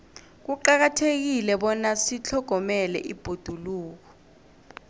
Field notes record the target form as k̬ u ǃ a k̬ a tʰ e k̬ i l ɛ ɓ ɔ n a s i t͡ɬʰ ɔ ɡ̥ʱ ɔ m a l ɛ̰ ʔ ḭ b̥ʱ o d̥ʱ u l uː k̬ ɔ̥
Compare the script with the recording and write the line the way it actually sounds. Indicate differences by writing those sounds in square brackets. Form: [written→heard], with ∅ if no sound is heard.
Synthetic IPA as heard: k̬ u ǃ a k̬ a tʰ e k̬ i l ɛ ɓ ɔ n a s i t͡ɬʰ ɔ ɡ̥ʱ ɔ m [a→ɛ] l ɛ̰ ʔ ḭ b̥ʱ o d̥ʱ u l uː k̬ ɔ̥